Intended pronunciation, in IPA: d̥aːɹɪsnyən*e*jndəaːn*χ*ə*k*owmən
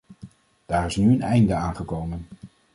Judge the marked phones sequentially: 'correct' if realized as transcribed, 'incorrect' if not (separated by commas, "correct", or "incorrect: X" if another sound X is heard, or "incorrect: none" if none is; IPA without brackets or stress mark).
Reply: incorrect: ɛ, correct, correct